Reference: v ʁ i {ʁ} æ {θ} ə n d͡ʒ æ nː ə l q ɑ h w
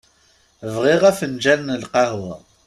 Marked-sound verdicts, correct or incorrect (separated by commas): correct, incorrect